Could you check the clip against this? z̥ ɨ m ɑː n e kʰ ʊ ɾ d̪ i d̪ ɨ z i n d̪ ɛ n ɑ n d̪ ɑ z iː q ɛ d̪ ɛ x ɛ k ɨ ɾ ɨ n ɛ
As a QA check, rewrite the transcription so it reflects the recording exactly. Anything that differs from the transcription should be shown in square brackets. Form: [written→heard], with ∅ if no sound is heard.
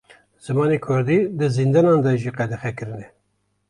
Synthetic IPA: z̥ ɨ m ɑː n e kʰ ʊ ɾ d̪ i d̪ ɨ z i n d̪ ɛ n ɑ n d̪ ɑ [z→ʒ] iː q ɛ d̪ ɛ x ɛ k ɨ ɾ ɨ n ɛ